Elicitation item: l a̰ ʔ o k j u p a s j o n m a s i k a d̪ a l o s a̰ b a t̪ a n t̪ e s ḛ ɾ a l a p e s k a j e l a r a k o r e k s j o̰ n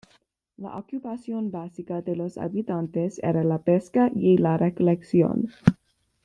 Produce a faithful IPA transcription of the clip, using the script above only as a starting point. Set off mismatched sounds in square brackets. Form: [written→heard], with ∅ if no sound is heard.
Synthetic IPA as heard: l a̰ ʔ o k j u p a s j o n [m→b] a s i k a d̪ [a→e] l o s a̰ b [a→i] t̪ a n t̪ e s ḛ ɾ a l a p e s k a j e l a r [a→e] k o [r→l] e k s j o̰ n